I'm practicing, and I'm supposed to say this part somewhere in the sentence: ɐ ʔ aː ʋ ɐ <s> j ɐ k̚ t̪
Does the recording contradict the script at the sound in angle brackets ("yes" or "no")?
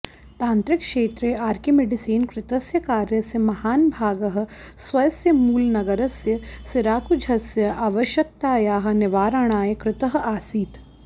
yes